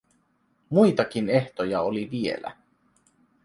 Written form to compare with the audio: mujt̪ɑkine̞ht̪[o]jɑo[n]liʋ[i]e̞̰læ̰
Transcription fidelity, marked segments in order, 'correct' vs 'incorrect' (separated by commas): correct, incorrect, correct